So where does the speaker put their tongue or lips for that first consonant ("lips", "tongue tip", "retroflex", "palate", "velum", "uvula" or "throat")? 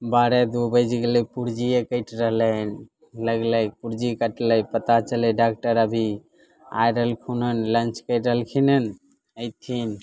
lips